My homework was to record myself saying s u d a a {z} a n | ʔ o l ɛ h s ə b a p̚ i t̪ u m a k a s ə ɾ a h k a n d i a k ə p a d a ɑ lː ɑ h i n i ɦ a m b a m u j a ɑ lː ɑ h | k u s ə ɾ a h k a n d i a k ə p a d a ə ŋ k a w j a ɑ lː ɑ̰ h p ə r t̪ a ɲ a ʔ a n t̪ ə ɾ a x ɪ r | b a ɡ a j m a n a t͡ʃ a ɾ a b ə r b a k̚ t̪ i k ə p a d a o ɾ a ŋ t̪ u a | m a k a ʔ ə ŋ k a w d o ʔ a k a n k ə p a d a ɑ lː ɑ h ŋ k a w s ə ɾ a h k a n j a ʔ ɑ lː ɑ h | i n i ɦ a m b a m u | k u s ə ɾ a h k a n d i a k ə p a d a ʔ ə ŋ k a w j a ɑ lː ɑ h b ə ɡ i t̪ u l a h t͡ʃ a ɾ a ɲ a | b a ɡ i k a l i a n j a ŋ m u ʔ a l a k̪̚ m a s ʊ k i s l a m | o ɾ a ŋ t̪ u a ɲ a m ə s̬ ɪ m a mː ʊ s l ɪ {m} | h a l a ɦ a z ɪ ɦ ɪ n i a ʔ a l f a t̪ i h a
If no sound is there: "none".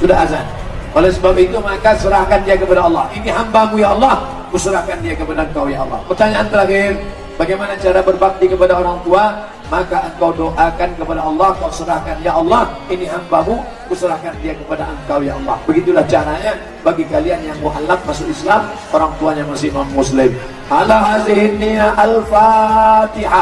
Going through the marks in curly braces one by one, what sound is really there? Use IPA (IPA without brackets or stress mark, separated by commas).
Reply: z, m